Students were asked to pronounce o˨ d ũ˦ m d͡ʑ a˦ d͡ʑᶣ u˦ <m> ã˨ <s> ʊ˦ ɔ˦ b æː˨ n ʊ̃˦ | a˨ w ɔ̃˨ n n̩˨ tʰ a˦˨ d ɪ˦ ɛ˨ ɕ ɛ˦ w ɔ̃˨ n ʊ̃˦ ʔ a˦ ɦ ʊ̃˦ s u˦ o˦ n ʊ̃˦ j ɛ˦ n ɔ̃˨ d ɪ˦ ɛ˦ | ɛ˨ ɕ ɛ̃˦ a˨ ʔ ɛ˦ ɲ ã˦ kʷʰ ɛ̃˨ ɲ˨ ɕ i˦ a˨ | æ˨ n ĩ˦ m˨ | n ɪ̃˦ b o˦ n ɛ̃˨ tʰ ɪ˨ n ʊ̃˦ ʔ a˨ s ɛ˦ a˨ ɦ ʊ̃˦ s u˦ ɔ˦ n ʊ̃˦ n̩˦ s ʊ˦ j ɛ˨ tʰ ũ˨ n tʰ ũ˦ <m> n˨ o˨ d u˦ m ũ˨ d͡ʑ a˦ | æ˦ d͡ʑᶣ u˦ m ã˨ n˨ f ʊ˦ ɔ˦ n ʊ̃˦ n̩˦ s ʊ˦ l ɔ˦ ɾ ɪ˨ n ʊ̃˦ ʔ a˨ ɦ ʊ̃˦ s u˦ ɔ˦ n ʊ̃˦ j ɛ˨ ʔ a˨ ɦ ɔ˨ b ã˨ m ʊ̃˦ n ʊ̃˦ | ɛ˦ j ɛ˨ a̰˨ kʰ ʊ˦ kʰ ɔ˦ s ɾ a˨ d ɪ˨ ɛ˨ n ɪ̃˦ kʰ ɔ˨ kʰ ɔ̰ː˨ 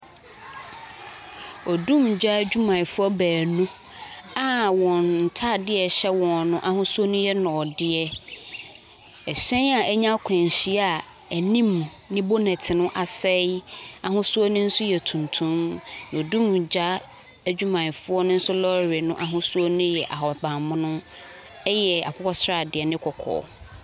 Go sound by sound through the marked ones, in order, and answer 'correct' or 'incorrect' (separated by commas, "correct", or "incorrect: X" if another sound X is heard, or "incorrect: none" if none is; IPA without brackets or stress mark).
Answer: correct, incorrect: f, correct